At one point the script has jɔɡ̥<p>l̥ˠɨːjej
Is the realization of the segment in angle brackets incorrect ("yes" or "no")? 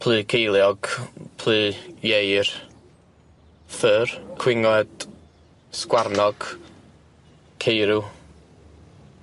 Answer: yes